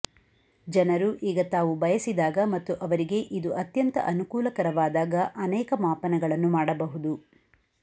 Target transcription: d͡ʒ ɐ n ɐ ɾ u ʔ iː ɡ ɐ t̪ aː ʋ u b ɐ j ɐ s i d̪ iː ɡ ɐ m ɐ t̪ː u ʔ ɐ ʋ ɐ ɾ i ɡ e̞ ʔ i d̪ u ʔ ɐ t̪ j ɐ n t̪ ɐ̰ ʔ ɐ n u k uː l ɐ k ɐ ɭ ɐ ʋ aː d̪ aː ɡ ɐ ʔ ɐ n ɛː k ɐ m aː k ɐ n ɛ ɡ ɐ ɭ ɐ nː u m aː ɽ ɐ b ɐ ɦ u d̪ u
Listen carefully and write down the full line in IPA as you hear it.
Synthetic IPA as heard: d͡ʒ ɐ n ɐ ɾ u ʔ iː ɡ ɐ t̪ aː ʋ u b ɐ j ɐ s i d̪ aː ɡ ɐ m ɐ t̪ː u ʔ ɐ ʋ ɐ ɾ i ɡ e̞ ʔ i d̪ u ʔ ɐ t̪ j ɐ n t̪ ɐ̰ ʔ ɐ n u k uː l ɐ k ɐ ɾ ɐ ʋ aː d̪ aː ɡ ɐ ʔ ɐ n ɛː k ɐ m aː p ɐ n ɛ ɡ ɐ ɭ ɐ nː u m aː ɽ ɐ b ɐ ɦ u d̪ u